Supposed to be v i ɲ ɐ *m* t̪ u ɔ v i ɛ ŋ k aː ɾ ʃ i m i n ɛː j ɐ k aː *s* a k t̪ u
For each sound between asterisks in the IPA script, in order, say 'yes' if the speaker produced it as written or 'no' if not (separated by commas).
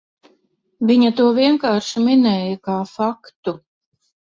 no, no